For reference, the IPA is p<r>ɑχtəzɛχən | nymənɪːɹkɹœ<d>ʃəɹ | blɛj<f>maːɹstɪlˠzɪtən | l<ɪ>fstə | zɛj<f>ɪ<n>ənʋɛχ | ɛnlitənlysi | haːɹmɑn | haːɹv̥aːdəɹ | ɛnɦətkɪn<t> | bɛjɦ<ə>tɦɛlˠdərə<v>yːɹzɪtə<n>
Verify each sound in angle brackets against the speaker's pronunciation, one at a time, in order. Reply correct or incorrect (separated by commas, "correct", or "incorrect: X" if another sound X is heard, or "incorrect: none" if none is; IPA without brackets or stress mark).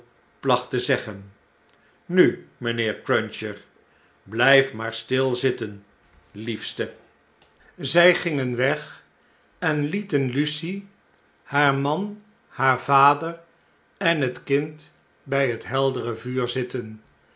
incorrect: l, incorrect: n, correct, incorrect: i, incorrect: χ, incorrect: ŋ, correct, correct, correct, correct